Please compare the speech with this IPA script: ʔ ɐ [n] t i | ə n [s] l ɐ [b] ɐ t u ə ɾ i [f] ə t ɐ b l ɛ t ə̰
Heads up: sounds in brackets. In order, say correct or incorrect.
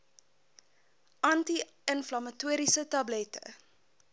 correct, incorrect: f, incorrect: m, incorrect: s

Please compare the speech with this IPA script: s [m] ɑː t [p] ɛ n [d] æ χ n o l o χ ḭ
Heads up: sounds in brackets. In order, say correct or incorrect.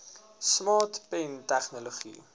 correct, correct, incorrect: t

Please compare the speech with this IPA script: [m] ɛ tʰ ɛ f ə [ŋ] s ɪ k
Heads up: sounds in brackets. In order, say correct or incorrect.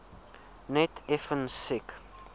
incorrect: n, incorrect: n

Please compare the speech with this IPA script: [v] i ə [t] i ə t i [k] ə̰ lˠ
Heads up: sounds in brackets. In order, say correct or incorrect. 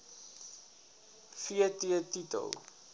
incorrect: f, correct, incorrect: t

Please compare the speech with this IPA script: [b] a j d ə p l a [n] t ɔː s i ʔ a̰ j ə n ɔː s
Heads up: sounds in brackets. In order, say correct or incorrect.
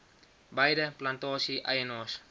correct, correct

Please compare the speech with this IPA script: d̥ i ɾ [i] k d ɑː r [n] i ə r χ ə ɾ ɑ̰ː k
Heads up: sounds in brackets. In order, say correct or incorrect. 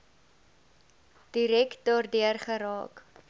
incorrect: ɛ, incorrect: d

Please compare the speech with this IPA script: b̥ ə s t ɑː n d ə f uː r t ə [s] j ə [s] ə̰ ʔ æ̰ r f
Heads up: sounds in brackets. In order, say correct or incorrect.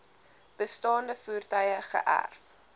incorrect: none, incorrect: χ

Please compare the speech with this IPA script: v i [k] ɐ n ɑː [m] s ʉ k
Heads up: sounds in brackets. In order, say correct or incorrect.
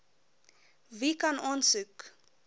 correct, incorrect: n

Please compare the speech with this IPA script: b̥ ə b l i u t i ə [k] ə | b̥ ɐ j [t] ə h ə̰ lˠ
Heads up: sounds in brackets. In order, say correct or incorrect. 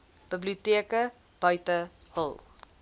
correct, correct

